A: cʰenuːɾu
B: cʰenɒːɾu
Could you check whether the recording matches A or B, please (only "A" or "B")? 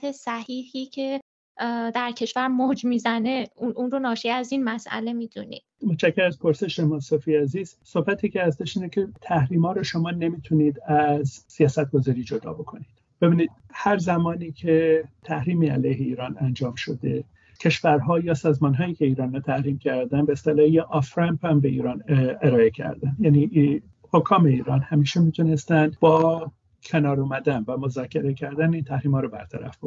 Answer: B